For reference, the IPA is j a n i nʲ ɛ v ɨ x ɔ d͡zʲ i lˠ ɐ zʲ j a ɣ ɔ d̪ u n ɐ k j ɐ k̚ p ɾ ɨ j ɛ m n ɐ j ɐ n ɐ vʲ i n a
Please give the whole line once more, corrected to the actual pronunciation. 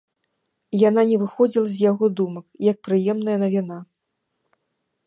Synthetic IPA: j a n a nʲ ɛ v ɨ x ɔ d͡zʲ i lˠ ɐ zʲ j a ɣ ɔ d̪ u m ɐ k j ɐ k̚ p ɾ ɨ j ɛ m n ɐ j ɐ n ɐ vʲ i n a

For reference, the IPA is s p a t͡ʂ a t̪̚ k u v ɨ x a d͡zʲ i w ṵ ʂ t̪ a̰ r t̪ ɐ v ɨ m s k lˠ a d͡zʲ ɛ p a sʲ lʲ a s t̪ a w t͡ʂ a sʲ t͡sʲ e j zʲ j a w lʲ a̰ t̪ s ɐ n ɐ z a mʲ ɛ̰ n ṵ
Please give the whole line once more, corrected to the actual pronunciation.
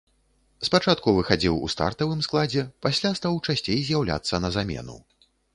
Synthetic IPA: s p a t͡ʂ a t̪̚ k u v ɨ x a d͡zʲ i w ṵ s t̪ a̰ r t̪ ɐ v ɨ m s k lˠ a d͡zʲ ɛ p a sʲ lʲ a s t̪ a w t͡ʂ a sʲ t͡sʲ e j zʲ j a w lʲ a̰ t̪ sː ɐ n ɐ z a mʲ ɛ̰ n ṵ

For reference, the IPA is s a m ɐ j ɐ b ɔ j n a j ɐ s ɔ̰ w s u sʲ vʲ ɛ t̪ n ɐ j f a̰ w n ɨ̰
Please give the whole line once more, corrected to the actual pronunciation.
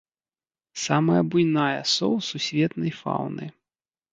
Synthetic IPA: s a m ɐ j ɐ b u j n a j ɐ s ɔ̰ w s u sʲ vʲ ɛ t̪ n ɐ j f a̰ w n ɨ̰

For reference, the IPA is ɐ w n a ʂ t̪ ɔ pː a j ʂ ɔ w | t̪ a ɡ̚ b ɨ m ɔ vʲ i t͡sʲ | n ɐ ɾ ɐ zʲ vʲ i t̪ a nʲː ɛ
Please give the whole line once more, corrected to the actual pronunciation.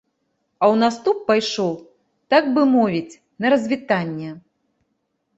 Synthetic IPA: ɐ w n a s t̪ u pː a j ʂ ɔ w | t̪ a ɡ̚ b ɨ m ɔ vʲ i t͡sʲ | n ɐ ɾ ɐ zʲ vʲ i t̪ a nʲː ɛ

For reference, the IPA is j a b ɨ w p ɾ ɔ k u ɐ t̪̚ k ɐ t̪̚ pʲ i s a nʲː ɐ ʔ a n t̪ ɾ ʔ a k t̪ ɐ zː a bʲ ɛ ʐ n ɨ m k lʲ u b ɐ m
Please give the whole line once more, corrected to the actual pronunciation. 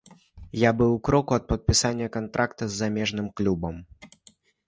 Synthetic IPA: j a b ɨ w k ɾ ɔ k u ɐ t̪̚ p ɐ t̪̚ pʲ i s a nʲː ɐ k a n t̪ ɾ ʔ a k t̪ ɐ zː a mʲ ɛ ʐ n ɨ m k lʲ u b ɐ m

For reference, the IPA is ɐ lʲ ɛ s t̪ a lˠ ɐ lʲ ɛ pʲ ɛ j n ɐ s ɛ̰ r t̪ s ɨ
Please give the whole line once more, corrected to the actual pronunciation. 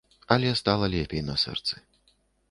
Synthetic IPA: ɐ lʲ ɛ s t̪ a lˠ ɐ lʲ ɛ pʲ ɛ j n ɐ s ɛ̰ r t̪ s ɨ

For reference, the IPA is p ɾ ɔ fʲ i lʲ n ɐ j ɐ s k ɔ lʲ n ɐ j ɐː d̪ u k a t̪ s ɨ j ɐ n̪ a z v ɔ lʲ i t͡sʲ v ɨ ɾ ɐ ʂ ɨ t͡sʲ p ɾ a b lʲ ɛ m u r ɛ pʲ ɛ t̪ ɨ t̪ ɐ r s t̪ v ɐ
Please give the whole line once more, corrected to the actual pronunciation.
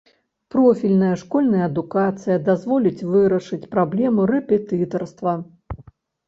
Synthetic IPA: p ɾ ɔ fʲ i lʲ n ɐ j ɐ ʂ k ɔ lʲ n ɐ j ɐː d̪ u k a t̪ s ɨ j ɐ d̪ a z v ɔ lʲ i t͡sʲ v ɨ ɾ ɐ ʂ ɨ t͡sʲ p ɾ a b lʲ ɛ m u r ɛ pʲ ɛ t̪ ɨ t̪ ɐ r s t̪ v ɐ

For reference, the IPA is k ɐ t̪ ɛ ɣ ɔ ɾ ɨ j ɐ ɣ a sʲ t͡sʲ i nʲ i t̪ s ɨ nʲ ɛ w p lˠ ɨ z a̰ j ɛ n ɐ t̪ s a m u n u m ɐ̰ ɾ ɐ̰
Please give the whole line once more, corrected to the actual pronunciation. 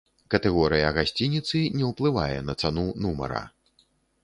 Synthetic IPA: k ɐ t̪ ɛ ɣ ɔ ɾ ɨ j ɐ ɣ a sʲ t͡sʲ i nʲ i t̪ s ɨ nʲ ɛ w p lˠ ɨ v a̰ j ɛ n ɐ t̪ s a n u n u m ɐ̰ ɾ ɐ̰

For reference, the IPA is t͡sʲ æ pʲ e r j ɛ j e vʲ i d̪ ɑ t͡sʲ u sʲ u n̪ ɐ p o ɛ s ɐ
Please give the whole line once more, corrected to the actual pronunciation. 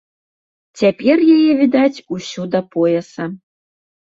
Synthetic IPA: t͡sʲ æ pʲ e r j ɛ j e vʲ i d̪ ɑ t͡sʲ u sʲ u d̪ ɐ p o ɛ s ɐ

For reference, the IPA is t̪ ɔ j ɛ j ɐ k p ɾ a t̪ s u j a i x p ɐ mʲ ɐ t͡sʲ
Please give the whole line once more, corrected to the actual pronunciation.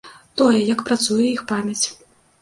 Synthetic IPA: t̪ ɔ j ɛ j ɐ k p ɾ a t̪ s u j ɛ i x p a mʲ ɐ t͡sʲ

